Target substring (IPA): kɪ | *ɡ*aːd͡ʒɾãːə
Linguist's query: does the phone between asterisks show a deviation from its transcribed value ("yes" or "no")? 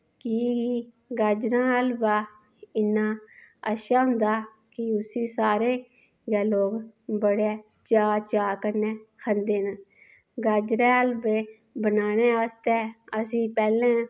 no